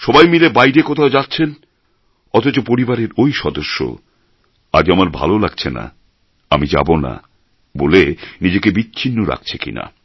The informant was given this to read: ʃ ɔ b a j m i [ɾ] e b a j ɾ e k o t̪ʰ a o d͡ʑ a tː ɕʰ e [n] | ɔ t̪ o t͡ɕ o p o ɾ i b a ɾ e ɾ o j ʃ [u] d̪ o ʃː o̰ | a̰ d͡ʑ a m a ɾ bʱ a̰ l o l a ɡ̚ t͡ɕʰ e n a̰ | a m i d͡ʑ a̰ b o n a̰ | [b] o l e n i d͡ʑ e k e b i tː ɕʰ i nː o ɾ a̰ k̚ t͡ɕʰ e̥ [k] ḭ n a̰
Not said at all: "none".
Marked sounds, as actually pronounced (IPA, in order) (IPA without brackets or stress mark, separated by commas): l, n, ɔ, b, k